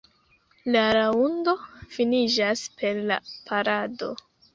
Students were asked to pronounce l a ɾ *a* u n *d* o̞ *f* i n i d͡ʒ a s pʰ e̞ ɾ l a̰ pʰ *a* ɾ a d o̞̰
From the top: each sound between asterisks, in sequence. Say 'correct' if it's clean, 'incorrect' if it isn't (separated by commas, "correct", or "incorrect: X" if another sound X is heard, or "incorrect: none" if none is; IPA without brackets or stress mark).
correct, correct, correct, correct